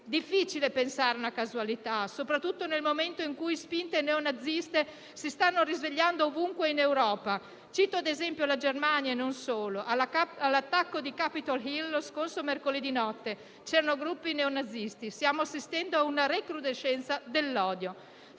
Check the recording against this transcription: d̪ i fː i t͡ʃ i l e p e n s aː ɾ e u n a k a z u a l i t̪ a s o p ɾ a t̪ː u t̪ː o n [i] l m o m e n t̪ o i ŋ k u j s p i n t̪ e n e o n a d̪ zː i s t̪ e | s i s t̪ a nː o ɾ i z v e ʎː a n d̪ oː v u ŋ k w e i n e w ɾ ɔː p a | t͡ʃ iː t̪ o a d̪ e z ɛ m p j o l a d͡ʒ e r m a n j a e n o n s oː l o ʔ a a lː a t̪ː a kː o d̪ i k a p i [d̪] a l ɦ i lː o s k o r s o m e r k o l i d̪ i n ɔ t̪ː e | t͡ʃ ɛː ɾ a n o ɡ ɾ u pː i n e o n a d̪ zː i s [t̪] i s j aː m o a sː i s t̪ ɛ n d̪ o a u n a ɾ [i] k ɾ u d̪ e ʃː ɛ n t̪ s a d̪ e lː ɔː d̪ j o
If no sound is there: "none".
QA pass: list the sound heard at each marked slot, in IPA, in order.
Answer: e, t̪, t̪, e

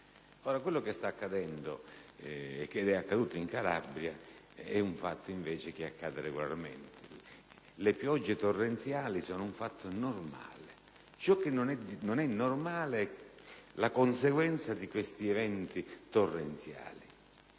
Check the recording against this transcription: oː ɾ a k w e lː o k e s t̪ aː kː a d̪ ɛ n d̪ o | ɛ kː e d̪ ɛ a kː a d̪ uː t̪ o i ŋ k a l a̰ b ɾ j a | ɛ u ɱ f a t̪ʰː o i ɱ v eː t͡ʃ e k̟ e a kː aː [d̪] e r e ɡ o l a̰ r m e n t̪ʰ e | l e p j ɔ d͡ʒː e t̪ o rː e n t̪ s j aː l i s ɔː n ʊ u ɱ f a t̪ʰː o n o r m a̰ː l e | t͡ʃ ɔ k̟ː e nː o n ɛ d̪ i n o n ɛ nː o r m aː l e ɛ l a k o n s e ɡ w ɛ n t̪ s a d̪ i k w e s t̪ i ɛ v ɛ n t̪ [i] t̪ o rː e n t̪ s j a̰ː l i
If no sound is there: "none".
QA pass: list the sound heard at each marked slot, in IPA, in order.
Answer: d̪, i

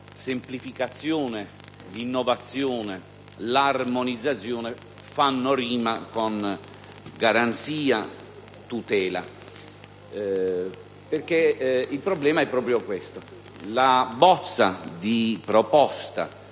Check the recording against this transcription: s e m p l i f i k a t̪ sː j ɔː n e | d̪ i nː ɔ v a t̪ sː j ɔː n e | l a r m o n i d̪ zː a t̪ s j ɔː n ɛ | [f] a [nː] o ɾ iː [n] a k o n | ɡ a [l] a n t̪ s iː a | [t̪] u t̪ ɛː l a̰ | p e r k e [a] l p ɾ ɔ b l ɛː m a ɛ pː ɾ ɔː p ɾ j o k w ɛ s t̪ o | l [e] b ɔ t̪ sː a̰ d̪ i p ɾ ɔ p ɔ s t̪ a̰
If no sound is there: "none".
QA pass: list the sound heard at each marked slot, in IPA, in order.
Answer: f, nː, m, ɾ, t̪, i, a

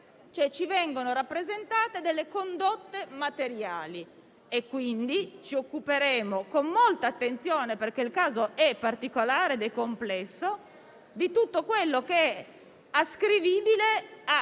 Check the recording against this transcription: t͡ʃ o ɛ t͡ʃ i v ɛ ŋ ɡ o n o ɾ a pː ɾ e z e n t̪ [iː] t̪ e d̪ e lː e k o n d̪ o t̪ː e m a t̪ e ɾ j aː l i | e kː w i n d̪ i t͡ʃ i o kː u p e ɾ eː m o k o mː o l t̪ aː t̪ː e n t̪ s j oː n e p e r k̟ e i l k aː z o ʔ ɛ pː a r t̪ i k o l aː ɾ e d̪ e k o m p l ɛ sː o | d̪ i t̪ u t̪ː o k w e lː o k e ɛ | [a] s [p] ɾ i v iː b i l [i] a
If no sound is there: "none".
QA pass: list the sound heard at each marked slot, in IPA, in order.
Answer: aː, a, k, e

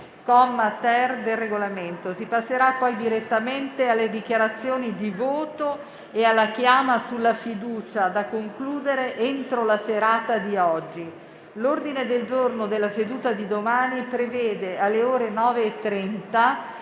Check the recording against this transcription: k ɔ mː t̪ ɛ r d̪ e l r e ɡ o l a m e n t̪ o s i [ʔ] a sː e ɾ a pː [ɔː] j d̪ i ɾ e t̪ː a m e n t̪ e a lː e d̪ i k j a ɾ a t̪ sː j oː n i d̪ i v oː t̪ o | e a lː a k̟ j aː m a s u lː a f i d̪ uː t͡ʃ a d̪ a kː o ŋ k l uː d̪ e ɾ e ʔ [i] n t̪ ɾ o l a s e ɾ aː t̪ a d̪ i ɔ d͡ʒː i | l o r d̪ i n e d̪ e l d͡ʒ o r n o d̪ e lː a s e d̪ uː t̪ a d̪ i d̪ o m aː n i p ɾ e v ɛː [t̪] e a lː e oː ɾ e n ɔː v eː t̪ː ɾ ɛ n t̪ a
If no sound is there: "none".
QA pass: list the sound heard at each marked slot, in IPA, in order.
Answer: p, ɔ, e, d̪

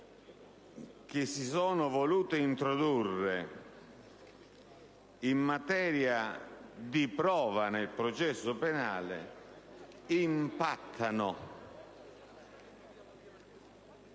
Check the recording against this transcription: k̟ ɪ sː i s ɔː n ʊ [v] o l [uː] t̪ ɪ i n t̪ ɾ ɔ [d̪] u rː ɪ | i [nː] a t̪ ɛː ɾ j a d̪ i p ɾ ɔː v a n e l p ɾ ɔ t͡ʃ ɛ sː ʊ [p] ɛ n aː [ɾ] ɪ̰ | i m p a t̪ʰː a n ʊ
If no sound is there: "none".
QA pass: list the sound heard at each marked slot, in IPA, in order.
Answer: v, uː, d̪, mː, p, l

